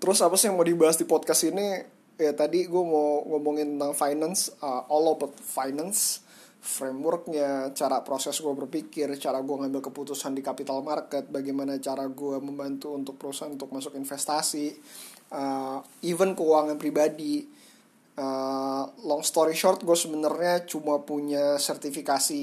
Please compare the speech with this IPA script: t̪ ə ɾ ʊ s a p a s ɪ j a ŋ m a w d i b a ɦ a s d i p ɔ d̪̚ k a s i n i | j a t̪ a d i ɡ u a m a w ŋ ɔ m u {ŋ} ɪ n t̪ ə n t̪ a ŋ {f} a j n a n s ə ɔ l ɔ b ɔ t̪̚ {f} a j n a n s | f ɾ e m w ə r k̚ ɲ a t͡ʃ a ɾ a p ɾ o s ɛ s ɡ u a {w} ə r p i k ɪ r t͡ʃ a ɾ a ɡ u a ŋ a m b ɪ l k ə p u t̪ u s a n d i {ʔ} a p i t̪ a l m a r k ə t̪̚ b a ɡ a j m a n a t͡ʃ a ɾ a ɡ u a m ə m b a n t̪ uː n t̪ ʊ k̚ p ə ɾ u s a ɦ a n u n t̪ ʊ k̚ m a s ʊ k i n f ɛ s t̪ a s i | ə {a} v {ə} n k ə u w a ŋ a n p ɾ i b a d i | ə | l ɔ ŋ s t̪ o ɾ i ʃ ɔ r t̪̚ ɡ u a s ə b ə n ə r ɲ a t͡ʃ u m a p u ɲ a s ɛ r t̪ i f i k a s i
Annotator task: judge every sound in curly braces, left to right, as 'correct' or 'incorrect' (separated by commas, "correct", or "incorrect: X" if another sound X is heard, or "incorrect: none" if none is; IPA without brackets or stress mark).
correct, correct, correct, incorrect: b, incorrect: k, incorrect: i, correct